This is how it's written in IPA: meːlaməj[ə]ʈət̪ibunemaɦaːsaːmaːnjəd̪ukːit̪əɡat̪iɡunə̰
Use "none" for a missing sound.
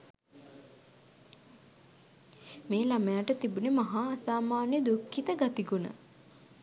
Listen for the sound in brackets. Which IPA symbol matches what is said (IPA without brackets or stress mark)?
a